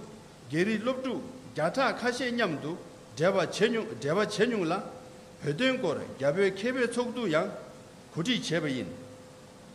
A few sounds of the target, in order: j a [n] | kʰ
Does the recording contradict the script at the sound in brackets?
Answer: yes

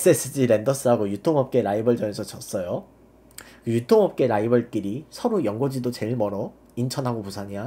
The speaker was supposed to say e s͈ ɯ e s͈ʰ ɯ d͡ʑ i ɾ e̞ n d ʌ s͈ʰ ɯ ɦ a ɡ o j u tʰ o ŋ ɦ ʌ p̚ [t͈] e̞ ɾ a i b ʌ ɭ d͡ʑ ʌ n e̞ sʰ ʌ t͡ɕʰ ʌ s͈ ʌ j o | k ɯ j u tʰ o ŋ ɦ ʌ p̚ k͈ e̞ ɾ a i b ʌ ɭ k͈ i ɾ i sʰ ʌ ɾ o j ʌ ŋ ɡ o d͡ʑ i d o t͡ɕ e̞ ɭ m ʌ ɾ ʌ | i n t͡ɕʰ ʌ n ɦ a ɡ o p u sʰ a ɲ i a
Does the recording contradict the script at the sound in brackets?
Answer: yes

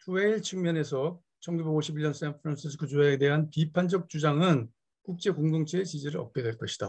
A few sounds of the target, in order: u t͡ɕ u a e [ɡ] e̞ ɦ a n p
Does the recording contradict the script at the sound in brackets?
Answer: yes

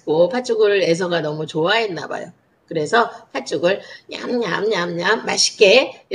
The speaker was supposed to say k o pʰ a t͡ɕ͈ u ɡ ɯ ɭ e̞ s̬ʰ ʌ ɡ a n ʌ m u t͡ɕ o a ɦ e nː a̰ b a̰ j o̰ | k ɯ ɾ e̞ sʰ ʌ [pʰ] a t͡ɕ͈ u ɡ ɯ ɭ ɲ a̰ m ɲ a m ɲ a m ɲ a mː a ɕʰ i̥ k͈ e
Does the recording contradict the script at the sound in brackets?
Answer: no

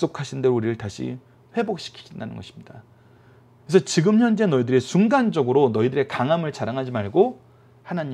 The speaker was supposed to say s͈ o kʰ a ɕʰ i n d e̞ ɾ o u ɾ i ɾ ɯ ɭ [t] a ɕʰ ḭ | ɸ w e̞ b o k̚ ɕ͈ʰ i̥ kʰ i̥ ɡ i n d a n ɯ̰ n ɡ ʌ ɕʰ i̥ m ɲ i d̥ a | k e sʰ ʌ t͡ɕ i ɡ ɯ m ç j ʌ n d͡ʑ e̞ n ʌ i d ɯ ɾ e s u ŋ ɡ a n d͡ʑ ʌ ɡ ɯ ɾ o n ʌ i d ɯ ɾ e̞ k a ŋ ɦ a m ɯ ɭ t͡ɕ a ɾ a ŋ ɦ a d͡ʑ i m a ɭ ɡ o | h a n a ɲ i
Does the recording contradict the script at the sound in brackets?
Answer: no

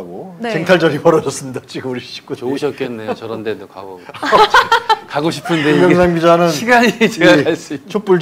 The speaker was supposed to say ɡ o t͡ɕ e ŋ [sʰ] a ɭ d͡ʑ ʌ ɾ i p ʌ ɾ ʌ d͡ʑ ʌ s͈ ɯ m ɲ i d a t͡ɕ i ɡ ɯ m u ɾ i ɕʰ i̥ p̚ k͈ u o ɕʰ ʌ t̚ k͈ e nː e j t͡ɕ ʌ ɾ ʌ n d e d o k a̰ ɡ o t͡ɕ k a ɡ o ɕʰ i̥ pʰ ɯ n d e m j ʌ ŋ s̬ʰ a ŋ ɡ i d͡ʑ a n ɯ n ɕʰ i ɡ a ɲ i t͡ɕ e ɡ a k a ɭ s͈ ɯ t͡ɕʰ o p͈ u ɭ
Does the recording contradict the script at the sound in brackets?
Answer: yes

